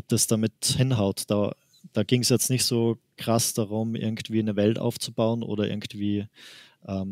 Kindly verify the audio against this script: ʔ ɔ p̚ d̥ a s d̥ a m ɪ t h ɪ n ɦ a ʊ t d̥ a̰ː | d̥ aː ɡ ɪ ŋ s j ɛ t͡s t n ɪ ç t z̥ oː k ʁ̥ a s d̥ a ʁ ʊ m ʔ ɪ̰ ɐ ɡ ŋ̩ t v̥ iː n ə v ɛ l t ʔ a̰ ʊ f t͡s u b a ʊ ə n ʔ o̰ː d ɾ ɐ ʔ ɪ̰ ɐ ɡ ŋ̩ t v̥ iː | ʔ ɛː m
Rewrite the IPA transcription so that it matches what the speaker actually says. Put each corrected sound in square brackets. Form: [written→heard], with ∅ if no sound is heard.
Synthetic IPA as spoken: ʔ ɔ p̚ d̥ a s d̥ a m ɪ t h ɪ n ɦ a ʊ t d̥ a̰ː | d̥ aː ɡ ɪ ŋ s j ɛ t͡s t n ɪ ç t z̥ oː k ʁ̥ a s d̥ a ʁ ʊ m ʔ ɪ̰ ɐ ɡ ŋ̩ t v̥ iː n ə v ɛ l t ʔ a̰ ʊ f t͡s u b a ʊ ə n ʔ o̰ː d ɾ ɐ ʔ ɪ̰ ɐ ɡ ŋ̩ t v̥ iː | ʔ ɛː m